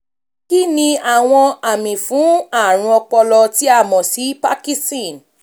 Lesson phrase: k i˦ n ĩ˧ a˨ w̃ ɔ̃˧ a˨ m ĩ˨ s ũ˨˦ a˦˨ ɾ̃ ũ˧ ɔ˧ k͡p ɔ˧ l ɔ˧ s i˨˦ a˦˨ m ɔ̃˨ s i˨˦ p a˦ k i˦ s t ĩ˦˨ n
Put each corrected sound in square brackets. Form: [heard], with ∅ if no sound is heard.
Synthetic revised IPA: k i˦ n ĩ˧ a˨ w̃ ɔ̃˧ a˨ m ĩ˨ [f] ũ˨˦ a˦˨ ɾ̃ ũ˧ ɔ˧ k͡p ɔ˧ l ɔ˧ [t] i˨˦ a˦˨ m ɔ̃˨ s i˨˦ p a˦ k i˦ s t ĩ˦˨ n